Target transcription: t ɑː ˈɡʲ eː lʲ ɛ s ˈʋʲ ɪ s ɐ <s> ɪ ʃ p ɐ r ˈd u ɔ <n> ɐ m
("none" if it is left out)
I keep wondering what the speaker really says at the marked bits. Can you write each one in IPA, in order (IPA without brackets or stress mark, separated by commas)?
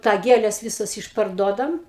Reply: s, d